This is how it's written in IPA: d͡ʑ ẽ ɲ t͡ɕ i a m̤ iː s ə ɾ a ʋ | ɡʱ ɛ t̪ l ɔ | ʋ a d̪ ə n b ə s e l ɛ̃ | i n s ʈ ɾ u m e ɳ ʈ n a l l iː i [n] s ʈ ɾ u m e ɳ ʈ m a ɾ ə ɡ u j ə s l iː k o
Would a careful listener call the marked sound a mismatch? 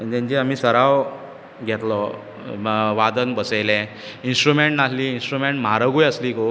no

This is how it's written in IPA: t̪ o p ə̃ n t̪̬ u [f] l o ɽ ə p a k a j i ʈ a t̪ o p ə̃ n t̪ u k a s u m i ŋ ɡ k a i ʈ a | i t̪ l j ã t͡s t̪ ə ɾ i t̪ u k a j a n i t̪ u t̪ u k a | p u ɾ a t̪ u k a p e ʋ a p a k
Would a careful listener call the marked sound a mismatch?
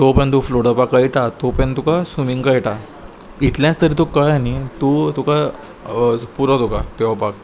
no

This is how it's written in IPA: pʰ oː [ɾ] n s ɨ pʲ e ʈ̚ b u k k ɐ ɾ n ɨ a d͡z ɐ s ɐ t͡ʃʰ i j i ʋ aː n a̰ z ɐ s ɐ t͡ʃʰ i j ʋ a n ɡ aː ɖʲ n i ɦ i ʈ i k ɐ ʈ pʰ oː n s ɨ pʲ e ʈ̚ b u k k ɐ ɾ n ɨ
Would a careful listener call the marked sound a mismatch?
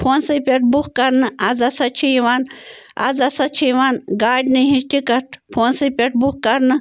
yes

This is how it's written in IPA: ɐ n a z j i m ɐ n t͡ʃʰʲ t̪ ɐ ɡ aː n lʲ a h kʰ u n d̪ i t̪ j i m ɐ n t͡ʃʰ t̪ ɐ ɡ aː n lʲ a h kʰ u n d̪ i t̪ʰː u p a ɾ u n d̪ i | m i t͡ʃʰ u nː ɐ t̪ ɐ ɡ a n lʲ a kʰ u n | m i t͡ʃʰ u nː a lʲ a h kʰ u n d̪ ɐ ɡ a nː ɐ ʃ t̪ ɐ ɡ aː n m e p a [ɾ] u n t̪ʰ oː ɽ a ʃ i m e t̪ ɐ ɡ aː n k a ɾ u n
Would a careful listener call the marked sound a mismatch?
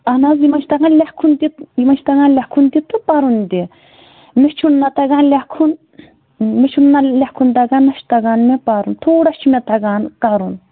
no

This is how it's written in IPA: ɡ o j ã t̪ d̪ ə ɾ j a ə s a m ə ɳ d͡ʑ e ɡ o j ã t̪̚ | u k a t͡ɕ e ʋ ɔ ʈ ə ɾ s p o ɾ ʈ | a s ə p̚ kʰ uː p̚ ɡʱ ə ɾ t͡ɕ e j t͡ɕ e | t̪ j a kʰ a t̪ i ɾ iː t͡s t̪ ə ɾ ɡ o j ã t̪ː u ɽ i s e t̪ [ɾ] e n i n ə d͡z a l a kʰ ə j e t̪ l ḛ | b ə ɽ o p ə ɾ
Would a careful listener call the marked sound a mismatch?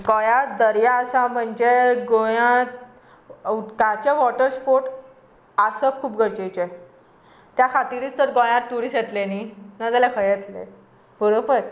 yes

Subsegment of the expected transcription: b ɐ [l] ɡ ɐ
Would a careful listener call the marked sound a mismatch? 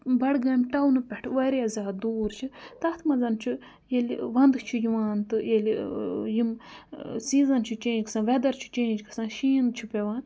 yes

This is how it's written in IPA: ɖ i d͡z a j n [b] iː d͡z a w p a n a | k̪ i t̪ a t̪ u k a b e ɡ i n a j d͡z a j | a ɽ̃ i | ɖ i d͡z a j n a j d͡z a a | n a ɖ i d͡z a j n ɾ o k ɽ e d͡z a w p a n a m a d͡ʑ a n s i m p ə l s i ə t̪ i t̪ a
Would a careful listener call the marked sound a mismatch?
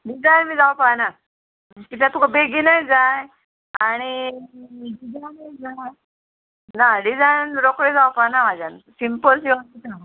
yes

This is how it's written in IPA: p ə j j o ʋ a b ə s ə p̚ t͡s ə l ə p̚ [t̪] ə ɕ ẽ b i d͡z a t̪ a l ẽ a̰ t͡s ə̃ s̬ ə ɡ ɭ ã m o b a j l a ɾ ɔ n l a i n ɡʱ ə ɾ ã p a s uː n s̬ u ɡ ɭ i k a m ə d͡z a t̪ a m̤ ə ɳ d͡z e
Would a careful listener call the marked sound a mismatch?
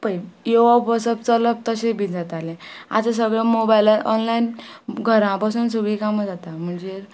no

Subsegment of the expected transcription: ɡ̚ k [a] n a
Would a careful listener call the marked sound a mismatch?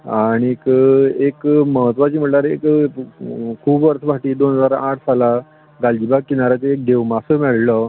yes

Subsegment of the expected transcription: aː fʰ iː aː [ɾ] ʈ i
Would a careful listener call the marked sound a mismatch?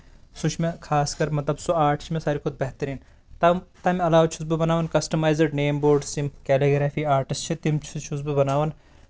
no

